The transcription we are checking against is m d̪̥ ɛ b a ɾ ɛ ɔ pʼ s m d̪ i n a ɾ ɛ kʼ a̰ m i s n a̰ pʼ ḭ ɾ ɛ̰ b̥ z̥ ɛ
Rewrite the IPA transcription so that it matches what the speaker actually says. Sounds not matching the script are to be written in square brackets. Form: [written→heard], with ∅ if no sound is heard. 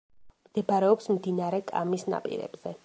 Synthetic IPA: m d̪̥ ɛ b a ɾ ɛ ɔ [pʼ→p] s m d̪ i n a ɾ ɛ kʼ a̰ m i s n a̰ pʼ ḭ ɾ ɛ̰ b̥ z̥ ɛ